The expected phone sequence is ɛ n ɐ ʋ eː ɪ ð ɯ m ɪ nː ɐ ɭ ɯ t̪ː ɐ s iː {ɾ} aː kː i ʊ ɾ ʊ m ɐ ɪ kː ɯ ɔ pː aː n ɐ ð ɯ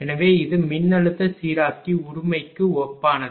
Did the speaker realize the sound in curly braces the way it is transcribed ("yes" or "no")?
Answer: yes